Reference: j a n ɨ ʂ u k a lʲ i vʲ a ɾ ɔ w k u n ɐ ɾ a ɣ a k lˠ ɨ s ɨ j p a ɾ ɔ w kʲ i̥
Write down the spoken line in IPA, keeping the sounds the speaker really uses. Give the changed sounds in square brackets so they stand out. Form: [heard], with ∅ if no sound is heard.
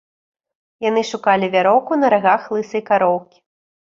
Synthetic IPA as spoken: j a n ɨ ʂ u k a lʲ i vʲ a ɾ ɔ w k u n ɐ ɾ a ɣ a [x] lˠ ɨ s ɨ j [k] a ɾ ɔ w kʲ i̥